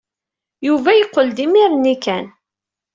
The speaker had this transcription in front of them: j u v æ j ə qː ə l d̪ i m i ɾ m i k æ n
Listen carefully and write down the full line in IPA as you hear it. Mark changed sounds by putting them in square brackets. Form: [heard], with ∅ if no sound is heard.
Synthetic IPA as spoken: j u v æ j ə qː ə l d̪ i m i ɾ [n] i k æ n